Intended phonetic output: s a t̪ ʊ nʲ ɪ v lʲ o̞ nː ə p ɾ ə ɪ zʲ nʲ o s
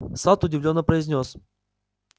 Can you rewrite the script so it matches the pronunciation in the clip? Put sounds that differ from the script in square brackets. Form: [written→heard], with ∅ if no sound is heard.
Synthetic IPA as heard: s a t̪ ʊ [nʲ→dʲ] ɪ v lʲ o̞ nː ə p ɾ ə ɪ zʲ nʲ o s